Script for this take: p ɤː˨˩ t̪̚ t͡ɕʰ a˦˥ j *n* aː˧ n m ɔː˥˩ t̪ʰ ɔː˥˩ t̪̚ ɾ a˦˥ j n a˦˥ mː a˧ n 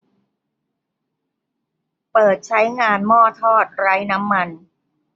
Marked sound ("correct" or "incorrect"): incorrect